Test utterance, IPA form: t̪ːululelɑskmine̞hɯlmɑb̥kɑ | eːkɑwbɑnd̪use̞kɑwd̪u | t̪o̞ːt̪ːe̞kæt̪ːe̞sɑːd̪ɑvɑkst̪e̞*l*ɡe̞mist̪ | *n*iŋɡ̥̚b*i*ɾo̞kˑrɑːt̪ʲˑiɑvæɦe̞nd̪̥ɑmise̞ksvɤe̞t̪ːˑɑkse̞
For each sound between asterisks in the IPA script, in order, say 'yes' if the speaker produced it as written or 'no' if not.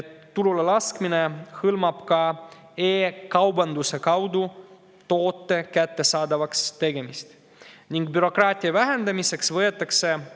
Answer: no, yes, no

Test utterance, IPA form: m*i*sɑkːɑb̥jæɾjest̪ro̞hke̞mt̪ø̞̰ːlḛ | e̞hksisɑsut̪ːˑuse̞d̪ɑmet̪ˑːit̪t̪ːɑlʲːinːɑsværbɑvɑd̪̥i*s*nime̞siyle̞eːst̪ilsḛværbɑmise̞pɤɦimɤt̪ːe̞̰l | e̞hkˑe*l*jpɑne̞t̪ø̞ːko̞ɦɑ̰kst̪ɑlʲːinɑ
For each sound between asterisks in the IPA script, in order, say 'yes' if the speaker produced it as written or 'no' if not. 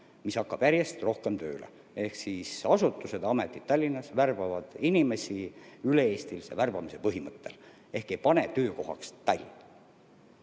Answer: yes, no, no

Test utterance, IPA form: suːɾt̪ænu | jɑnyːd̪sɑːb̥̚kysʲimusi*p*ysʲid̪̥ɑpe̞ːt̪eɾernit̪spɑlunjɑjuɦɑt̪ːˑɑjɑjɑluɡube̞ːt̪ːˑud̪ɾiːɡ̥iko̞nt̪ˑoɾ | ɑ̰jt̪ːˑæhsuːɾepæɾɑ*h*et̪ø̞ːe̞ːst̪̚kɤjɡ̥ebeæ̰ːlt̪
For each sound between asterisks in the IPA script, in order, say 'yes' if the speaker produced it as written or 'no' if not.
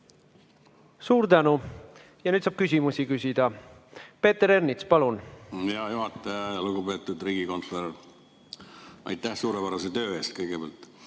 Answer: no, no

